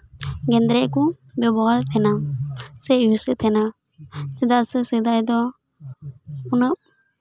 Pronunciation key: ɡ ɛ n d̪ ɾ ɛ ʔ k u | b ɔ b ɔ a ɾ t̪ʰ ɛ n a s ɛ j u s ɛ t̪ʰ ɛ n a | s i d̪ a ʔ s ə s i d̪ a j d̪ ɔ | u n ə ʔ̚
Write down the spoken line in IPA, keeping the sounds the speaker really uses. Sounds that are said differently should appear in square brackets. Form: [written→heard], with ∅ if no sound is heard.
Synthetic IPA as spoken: ɡ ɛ n d̪ ɾ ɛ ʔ k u | b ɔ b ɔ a ɾ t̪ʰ ɛ n a s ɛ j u s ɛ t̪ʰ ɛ n a | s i d̪ a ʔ s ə s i d̪ a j d̪ ɔ | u n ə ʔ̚